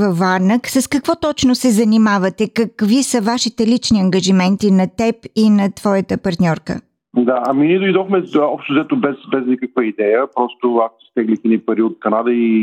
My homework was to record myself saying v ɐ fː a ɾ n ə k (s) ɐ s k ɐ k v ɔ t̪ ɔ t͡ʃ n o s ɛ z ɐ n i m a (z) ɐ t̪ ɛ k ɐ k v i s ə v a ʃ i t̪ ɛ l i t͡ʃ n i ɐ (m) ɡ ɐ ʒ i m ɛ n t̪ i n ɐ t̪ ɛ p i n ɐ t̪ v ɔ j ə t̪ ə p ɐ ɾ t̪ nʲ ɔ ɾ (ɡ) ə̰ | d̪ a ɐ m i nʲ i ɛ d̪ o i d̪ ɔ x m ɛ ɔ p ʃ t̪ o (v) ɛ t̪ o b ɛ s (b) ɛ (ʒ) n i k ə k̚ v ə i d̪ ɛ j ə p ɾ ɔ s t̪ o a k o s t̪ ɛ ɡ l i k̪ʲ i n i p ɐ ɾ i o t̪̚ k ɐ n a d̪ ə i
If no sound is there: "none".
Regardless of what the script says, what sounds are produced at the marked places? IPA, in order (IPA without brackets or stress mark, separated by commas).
s, v, ŋ, k, z, b, z